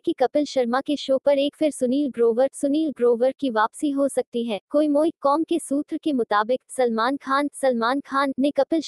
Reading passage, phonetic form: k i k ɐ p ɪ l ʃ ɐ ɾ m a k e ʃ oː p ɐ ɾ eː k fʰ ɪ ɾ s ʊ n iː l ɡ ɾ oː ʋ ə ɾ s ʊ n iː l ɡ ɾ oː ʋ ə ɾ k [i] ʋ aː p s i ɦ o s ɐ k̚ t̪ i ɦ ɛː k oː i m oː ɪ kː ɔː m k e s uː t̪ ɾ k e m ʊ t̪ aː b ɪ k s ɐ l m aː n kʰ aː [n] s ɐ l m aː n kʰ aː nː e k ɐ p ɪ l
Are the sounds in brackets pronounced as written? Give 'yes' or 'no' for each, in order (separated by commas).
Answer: yes, yes